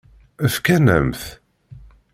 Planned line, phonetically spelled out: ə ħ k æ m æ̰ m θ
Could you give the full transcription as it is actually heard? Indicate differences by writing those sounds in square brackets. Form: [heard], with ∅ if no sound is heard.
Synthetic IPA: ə [f] k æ [n] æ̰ m θ